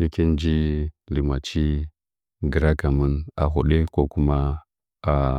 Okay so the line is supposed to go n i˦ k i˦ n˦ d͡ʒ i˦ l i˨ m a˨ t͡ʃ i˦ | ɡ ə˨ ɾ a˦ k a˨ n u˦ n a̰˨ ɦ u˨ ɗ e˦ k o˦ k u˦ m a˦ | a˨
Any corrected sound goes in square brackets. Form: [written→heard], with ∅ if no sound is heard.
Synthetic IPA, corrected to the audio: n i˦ k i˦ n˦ d͡ʒ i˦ l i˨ m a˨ t͡ʃ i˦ | ɡ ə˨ ɾ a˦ k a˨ [n→m] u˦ n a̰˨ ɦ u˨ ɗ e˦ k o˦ k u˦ m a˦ | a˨